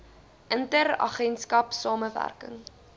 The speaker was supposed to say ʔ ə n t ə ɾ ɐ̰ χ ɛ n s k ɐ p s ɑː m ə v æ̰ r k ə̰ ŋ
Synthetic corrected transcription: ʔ ə n t ə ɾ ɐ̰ χ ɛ n s k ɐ p s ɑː m ə v æ̰ r k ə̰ ŋ